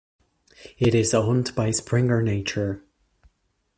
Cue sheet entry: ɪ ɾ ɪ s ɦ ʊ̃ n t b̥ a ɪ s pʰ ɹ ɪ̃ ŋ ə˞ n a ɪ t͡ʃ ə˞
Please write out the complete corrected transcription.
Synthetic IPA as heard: ɪ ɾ ɪ z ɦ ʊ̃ n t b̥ a ɪ s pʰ ɹ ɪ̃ ŋ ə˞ n e ɪ t͡ʃ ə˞